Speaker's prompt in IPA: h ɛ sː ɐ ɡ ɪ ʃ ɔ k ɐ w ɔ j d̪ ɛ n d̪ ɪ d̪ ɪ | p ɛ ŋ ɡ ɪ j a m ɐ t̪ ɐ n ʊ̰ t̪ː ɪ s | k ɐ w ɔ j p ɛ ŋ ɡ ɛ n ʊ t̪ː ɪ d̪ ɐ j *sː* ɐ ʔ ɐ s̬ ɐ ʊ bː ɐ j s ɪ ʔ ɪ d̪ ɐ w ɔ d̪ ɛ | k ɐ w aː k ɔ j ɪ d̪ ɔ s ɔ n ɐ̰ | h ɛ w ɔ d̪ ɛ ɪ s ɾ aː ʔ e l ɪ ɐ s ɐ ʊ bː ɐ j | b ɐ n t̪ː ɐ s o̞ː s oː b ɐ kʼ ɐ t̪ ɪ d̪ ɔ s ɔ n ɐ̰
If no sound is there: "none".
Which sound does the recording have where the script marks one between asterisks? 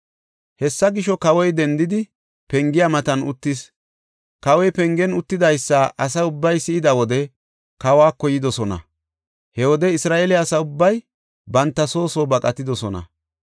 sː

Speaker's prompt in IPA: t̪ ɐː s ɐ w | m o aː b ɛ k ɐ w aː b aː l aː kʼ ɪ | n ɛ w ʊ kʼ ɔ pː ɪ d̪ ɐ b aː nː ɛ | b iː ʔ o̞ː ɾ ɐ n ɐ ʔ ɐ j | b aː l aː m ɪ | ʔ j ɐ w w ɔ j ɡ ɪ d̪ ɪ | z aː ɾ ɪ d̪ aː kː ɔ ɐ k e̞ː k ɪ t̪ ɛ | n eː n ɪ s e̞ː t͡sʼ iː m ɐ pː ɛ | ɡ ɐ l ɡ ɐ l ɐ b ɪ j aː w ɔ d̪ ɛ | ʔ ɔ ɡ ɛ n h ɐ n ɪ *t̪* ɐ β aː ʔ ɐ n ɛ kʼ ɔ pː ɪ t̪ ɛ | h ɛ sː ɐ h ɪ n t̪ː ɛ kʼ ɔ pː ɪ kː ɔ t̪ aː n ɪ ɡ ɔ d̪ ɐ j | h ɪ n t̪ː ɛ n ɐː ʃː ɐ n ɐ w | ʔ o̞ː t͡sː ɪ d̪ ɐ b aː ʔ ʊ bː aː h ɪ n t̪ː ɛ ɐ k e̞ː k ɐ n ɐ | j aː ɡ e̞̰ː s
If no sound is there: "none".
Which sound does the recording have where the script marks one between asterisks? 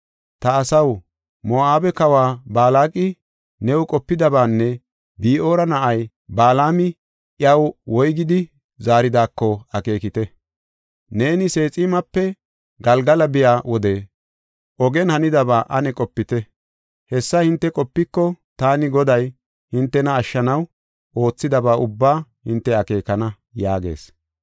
d̪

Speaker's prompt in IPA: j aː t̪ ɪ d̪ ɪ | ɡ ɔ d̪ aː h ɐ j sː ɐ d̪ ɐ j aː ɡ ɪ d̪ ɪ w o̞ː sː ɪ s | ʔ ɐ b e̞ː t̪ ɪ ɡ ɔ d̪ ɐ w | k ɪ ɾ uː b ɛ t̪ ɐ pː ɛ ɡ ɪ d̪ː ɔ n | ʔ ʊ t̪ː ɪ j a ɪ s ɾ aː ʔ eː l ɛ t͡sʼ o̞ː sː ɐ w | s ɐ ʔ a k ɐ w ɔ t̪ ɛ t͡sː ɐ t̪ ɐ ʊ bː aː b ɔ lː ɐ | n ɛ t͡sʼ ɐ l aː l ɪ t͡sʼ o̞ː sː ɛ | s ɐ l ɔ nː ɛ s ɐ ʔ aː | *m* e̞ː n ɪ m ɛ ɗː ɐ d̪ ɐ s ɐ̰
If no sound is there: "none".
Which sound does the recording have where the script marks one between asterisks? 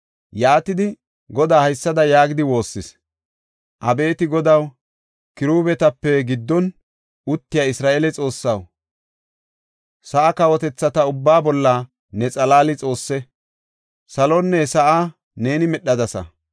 n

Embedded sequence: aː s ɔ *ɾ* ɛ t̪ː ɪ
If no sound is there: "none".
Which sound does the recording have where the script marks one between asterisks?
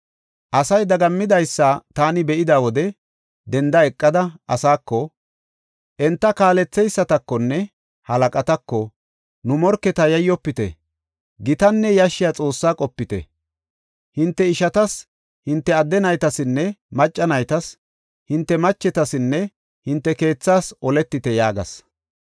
l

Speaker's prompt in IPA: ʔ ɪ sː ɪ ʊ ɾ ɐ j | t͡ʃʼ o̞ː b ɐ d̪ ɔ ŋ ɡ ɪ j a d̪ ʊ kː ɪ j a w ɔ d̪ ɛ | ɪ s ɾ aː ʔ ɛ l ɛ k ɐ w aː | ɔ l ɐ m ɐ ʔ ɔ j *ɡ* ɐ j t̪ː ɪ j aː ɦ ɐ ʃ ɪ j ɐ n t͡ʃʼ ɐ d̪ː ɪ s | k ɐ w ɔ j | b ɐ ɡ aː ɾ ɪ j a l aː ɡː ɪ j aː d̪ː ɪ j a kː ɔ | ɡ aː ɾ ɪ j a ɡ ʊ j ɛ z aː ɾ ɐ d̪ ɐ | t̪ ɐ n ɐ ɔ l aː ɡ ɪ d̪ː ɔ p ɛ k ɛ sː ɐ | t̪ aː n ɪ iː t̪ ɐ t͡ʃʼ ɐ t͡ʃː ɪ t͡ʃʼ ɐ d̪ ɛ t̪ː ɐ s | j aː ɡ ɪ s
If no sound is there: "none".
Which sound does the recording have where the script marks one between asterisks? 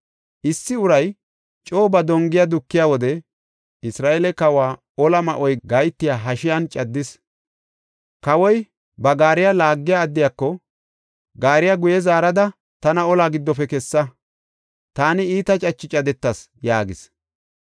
ɡ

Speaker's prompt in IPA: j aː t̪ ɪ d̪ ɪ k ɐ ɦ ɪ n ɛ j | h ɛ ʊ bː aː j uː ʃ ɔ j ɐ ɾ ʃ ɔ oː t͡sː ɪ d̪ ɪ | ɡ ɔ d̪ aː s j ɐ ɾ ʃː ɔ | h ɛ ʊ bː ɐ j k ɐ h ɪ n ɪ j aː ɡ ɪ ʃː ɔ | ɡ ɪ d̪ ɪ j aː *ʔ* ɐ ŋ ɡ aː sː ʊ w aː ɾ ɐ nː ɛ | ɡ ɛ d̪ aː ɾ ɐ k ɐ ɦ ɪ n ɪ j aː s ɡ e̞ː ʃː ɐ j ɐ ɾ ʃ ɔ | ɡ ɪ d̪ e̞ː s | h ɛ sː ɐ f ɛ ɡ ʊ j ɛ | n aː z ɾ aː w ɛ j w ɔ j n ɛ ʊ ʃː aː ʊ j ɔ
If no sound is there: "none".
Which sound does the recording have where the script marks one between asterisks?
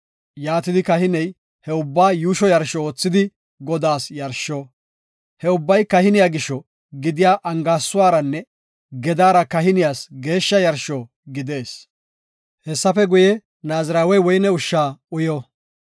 ʔ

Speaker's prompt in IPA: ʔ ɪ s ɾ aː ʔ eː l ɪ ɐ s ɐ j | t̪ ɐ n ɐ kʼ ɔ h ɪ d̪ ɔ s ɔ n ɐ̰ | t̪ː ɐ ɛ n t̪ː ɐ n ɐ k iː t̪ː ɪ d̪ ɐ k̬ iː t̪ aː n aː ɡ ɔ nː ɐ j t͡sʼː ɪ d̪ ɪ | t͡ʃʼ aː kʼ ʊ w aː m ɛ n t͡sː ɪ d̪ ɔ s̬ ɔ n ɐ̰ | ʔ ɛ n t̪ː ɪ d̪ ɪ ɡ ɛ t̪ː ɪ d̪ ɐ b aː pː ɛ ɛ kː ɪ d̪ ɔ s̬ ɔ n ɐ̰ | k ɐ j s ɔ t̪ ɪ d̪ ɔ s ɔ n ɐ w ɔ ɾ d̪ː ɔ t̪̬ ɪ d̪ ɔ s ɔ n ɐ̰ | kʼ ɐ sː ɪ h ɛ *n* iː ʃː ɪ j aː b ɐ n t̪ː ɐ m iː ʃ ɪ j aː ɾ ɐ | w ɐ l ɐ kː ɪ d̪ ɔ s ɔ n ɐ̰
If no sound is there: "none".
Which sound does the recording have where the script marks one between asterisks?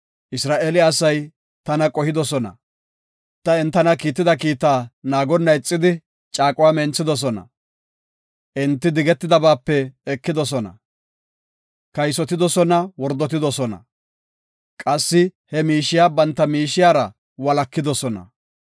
m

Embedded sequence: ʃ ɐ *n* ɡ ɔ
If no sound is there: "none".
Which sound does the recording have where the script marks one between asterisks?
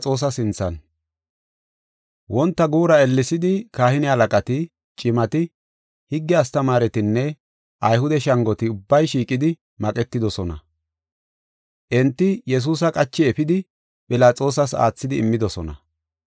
ŋ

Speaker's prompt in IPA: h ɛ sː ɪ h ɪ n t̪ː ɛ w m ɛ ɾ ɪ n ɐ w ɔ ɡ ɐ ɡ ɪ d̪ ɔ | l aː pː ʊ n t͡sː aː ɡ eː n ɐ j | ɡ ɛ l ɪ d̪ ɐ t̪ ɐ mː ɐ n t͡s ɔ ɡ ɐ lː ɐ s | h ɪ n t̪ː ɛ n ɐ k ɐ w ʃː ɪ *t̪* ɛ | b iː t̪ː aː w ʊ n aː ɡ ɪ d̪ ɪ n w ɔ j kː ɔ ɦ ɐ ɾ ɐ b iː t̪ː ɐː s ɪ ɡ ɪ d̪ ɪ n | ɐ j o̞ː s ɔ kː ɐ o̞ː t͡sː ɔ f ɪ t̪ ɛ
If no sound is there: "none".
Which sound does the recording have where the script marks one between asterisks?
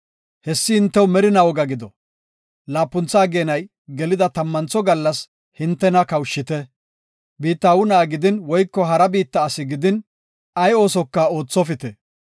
t̪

